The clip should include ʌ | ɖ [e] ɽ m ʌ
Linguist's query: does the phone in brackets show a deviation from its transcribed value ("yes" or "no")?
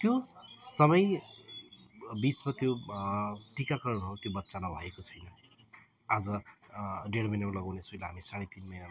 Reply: no